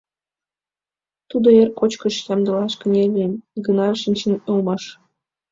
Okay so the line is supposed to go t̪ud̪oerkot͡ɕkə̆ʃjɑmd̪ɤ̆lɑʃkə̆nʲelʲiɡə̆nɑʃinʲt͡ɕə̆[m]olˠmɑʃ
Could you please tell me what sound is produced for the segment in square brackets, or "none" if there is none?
n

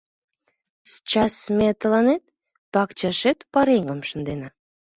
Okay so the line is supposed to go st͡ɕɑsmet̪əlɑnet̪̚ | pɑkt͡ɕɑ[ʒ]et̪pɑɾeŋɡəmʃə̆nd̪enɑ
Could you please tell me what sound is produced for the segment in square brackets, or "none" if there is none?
ʃ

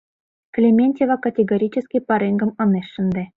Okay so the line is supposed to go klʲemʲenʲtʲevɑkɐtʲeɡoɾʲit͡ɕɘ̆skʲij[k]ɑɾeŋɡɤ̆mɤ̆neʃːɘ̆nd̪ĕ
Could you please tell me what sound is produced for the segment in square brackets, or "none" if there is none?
p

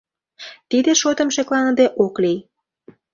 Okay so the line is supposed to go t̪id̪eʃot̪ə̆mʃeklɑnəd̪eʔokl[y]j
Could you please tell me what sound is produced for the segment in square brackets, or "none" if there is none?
i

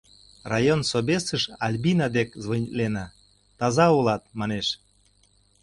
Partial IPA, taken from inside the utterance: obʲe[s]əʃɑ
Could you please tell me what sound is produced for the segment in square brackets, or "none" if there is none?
s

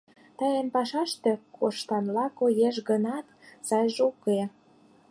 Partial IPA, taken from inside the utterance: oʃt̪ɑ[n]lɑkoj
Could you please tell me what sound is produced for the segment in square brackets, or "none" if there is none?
n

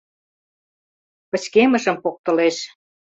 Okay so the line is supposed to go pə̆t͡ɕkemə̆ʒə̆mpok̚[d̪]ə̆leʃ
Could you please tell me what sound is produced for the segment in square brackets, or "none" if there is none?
t̪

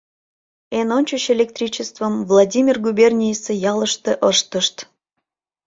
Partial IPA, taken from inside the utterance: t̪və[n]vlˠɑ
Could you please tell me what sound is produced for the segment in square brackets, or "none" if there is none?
m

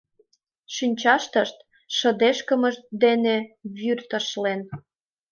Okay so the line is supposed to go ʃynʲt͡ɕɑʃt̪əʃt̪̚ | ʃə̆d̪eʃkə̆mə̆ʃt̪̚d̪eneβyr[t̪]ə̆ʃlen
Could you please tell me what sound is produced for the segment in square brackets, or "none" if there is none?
t̪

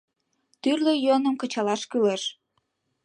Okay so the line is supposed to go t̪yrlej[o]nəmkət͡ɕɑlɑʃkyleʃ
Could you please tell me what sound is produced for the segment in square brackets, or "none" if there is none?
o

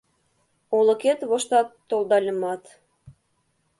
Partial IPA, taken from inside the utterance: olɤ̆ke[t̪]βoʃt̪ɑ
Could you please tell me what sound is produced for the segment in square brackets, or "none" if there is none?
t̪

